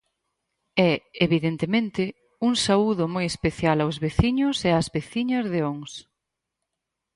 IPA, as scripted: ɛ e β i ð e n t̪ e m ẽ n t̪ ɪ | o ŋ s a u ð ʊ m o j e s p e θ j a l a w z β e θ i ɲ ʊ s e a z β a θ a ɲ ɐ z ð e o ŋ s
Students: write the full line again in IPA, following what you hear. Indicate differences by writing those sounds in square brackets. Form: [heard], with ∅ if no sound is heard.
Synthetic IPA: ɛ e β i ð e n t̪ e m ẽ n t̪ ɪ | [u] ŋ s a u ð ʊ m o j e s p e θ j a l a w z β e θ i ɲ ʊ s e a z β [e] θ [i] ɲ ɐ z ð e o ŋ s